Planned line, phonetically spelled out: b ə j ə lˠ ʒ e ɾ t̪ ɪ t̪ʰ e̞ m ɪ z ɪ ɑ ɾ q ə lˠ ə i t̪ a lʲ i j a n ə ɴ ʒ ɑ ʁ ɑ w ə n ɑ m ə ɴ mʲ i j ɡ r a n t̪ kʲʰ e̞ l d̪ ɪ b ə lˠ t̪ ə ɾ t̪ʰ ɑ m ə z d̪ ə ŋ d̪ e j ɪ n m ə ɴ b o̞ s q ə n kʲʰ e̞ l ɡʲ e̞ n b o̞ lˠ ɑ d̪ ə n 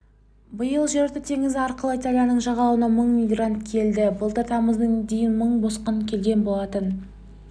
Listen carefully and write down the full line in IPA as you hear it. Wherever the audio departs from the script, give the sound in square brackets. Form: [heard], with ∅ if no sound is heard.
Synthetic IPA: b ə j ə lˠ ʒ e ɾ t̪ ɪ t̪ʰ e̞ [ŋ] ɪ z ɪ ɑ ɾ q ə lˠ ə i t̪ a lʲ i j a n ə ɴ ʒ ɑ ʁ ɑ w ə n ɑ m ə ɴ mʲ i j ɡ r a n t̪ kʲʰ e̞ l d̪ ɪ b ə lˠ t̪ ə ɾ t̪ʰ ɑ m ə z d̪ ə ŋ d̪ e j ɪ n m ə ɴ b o̞ s q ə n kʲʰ e̞ l ɡʲ e̞ n b o̞ lˠ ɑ [t̪] ə n